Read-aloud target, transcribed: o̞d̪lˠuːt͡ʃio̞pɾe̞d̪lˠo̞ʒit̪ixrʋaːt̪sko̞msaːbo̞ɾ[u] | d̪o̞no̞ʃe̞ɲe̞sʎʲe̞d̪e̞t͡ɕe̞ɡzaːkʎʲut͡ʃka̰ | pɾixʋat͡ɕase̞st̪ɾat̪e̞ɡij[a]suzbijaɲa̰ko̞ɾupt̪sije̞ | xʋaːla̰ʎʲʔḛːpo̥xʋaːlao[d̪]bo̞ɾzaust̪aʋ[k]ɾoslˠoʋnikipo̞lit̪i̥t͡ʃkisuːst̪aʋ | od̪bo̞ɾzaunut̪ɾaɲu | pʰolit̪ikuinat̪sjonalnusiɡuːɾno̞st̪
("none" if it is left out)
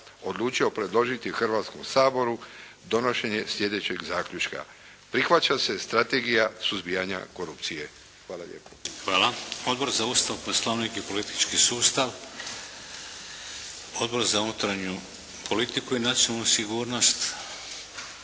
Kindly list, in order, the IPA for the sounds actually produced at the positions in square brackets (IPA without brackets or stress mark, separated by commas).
u, a, d̪, p